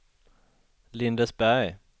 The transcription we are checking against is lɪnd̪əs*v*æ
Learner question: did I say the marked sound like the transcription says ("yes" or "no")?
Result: no